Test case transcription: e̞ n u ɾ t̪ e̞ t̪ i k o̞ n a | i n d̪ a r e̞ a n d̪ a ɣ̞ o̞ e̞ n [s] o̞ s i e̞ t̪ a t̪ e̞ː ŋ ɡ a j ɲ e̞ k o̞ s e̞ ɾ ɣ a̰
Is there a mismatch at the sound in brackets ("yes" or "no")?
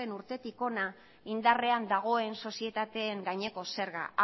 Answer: no